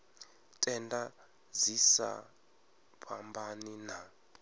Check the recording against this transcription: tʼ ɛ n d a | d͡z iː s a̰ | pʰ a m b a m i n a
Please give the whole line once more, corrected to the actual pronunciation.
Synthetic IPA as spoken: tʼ ɛ n d a | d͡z i s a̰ | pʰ a m b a n i n a